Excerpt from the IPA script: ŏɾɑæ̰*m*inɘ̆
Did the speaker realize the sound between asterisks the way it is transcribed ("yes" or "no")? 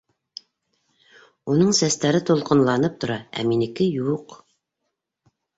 yes